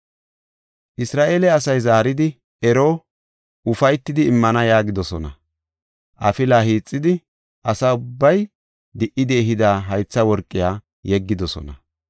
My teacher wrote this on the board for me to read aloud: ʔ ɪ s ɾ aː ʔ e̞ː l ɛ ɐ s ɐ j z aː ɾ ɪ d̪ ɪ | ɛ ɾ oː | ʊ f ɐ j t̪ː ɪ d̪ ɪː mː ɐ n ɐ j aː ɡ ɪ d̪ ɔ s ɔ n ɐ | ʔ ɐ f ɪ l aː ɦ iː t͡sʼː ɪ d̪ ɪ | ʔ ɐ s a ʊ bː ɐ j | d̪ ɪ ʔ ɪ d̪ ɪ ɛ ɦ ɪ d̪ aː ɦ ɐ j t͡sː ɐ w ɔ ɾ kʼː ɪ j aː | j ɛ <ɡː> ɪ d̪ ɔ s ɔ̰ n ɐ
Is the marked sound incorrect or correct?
correct